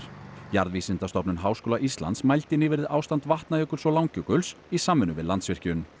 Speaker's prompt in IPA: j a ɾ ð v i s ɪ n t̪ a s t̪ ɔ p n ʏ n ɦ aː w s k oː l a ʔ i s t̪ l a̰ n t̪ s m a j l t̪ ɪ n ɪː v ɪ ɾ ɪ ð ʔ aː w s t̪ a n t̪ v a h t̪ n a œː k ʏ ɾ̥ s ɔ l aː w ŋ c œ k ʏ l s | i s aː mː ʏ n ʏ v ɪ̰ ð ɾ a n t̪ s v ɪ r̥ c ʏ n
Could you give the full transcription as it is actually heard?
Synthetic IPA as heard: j a ɾ ð v i s ɪ n t̪ a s t̪ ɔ p n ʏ n ɦ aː w s k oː l a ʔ i s t̪ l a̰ n t̪ s m a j l t̪ ɪ n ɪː v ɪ ɾ ɪ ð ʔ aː w s t̪ a n t̪ v a h t̪ n a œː k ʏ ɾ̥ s ɔ l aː w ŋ c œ k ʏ l s | i s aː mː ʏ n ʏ v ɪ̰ ð l a n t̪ s v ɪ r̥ c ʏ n